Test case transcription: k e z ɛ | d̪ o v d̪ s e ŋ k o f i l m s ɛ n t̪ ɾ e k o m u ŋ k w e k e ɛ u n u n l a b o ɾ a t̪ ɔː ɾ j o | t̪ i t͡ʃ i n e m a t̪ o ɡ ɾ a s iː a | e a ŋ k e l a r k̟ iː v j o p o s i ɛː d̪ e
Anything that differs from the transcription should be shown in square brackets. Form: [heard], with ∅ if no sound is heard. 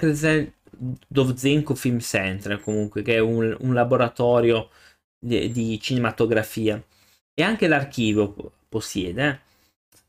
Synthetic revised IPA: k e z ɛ | d̪ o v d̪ [z] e ŋ k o f i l m s ɛ n t̪ ɾ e k o m u ŋ k w e k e ɛ u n u n l a b o ɾ a t̪ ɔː ɾ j o | [d̪] i t͡ʃ i n e m a t̪ o ɡ ɾ a [f] iː a | e a ŋ k e l a r k̟ iː v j o p o s [j] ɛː d̪ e